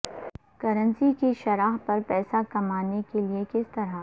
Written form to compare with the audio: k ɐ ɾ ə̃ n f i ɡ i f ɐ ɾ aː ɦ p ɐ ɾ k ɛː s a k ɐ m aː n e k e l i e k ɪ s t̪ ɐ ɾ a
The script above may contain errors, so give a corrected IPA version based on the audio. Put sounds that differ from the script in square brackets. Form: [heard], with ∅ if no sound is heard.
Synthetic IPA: k ɐ ɾ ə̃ n [s] i [k] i [ʃ] ɐ ɾ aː ɦ p ɐ ɾ [p] ɛː s a k ɐ m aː n e k e l i e k ɪ s t̪ ɐ ɾ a